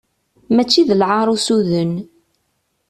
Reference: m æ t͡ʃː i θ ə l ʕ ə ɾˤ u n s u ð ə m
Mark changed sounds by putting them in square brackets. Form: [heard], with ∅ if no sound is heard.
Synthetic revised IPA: m æ t͡ʃː i [ð] ə l ʕ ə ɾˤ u [∅] s u ð ə [n]